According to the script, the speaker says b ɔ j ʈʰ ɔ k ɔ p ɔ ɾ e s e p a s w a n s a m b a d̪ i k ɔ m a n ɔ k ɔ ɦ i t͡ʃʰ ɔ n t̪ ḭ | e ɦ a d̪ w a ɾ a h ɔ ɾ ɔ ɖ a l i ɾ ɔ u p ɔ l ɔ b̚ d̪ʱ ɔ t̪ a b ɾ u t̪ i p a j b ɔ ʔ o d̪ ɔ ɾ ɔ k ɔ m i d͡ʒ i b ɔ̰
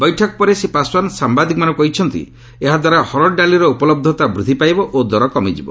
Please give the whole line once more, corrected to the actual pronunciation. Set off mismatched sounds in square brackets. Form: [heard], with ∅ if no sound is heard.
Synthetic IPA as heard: b ɔ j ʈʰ ɔ k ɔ p ɔ ɾ e s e p a s w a n s a m b a d̪ i k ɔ m a n ɔ k ɔ ɦ i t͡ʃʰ ɔ n t̪ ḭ | e ɦ a d̪ w a ɾ a h ɔ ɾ ɔ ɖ a l i ɾ ɔ u p ɔ l ɔ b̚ d̪ʱ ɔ t̪ a b ɾ u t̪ i p a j b ɔ ʔ o d̪ ɔ ɾ ɔ k ɔ m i d͡ʒ i b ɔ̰

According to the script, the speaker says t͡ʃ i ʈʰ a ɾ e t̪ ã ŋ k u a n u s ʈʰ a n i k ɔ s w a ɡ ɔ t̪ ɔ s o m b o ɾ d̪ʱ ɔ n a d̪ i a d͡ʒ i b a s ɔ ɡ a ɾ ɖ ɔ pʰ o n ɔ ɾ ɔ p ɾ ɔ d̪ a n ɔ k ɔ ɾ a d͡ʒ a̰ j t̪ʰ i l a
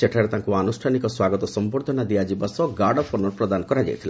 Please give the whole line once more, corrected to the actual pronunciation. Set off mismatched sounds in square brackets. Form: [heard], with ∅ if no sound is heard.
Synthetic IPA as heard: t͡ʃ [e] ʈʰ a ɾ e t̪ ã ŋ k u a n u s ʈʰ a n i k ɔ s w a ɡ ɔ t̪ ɔ s [ɔ] m b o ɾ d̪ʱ ɔ n a d̪ i a d͡ʒ i b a s ɔ ɡ a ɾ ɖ ɔ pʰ o n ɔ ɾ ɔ p ɾ ɔ d̪ a n ɔ k ɔ ɾ a d͡ʒ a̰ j t̪ʰ i l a

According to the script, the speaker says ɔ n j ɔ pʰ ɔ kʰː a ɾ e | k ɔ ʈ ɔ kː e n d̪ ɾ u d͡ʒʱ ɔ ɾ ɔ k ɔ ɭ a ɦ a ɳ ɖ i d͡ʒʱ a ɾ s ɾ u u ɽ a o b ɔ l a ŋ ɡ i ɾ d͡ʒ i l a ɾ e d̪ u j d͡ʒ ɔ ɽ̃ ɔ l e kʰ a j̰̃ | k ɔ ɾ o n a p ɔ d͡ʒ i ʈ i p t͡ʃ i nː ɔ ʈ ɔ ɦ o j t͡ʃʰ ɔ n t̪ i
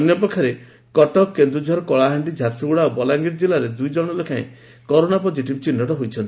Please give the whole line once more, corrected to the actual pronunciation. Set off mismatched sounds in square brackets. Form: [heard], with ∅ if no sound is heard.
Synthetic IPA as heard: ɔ n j ɔ [p] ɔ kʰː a ɾ e | k ɔ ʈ ɔ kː e n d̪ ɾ u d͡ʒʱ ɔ ɾ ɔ k ɔ ɭ a ɦ a ɳ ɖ i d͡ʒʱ a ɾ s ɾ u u ɽ a o b ɔ l a ŋ ɡ i ɾ d͡ʒ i l a ɾ e d̪ u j d͡ʒ ɔ ɽ̃ ɔ l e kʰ a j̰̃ | k ɔ ɾ o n a p ɔ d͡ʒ i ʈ i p t͡ʃ i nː ɔ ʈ ɔ ɦ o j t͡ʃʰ ɔ n t̪ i

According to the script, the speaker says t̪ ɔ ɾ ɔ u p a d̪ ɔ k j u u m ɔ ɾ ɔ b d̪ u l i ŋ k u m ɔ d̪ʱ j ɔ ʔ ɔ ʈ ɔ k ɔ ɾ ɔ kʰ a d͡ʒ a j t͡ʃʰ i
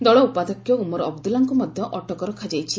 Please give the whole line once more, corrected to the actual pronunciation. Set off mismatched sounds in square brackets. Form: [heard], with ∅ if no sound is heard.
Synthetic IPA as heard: [d̪] ɔ [ɭ] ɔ u p a d̪ ɔ k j [ɔ] u m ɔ ɾ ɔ b d̪ u l [a] ŋ k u m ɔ d̪ʱ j ɔ ʔ ɔ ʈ ɔ k ɔ ɾ ɔ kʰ a d͡ʒ a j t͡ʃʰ i

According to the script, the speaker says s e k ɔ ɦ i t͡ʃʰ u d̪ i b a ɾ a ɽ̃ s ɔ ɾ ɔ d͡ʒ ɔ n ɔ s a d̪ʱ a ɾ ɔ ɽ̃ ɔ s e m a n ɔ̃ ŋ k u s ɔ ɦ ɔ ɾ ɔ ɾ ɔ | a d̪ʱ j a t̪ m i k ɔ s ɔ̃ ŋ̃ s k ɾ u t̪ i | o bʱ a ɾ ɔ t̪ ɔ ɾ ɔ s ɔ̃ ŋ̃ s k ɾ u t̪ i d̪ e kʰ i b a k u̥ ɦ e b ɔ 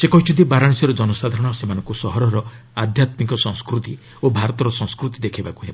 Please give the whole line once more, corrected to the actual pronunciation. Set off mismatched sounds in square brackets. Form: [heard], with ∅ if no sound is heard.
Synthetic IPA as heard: s e k ɔ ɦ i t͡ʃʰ u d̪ i b a ɾ a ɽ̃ s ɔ ɾ ɔ d͡ʒ ɔ n ɔ s a d̪ʱ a ɾ ɔ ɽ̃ ɔ s e m a n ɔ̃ ŋ k u s ɔ ɦ ɔ ɾ ɔ ɾ ɔ | a d̪ʱ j a t̪ m i k ɔ s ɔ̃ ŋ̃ s k ɾ u t̪ i | o bʱ a ɾ ɔ t̪ ɔ ɾ ɔ s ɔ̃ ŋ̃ s k ɾ u t̪ i d̪ e kʰ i b a k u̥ ɦ e b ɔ

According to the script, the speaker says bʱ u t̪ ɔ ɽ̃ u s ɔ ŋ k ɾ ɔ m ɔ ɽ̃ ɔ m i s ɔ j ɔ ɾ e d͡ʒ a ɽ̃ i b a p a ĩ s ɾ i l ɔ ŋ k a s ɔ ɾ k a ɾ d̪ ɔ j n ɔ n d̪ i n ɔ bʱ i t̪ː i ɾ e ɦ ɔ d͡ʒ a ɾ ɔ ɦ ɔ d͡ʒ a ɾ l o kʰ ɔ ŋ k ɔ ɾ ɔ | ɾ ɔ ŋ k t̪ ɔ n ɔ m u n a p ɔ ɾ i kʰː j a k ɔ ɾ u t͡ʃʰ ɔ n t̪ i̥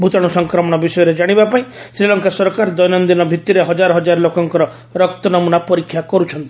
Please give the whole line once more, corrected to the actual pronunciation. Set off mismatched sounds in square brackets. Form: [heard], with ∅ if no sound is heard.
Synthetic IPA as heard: bʱ u t̪ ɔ ɽ̃ u s ɔ ŋ k ɾ ɔ m ɔ ɽ̃ ɔ [b] i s ɔ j ɔ ɾ e d͡ʒ a ɽ̃ i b a p a ĩ s ɾ i l ɔ ŋ k a s ɔ ɾ k a ɾ d̪ ɔ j n ɔ n d̪ i n ɔ bʱ i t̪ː i ɾ e ɦ ɔ d͡ʒ a ɾ ɔ ɦ ɔ d͡ʒ a ɾ l o [k] ɔ ŋ k ɔ ɾ ɔ | ɾ ɔ [∅] k t̪ ɔ n ɔ m u n a p ɔ ɾ i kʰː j a k ɔ ɾ u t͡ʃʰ ɔ n t̪ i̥

